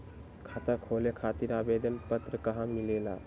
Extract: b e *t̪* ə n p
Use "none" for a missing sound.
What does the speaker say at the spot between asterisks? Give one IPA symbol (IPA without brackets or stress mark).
d̪